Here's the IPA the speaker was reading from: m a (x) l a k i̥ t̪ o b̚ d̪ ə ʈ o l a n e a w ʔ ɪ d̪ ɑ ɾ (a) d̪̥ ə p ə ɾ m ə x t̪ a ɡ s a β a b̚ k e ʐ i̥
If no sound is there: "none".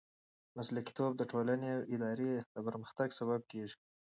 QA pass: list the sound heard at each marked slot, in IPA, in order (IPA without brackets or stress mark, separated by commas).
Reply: s, e